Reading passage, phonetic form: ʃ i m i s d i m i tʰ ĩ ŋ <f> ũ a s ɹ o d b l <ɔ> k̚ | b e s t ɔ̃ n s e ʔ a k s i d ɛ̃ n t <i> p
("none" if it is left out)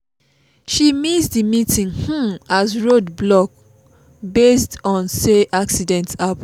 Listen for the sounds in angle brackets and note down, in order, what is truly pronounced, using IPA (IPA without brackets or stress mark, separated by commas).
h, ɔ, a